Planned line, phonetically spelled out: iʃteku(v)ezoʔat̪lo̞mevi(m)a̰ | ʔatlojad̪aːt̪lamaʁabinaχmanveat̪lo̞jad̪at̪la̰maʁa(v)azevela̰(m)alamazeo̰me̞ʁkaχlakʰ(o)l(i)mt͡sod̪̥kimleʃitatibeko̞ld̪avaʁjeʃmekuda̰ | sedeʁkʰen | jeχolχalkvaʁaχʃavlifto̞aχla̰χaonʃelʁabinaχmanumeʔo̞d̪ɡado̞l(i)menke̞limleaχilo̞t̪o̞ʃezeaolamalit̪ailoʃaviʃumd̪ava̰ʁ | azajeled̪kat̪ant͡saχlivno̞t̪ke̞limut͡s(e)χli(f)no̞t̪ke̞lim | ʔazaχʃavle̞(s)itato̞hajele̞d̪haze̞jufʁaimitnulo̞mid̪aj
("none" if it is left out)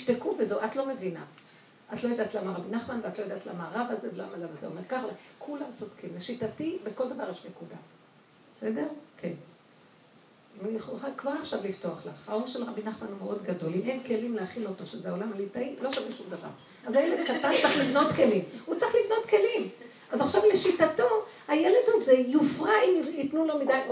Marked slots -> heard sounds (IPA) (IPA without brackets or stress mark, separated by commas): v, n, v, m, u, a, i, a, v, ʃ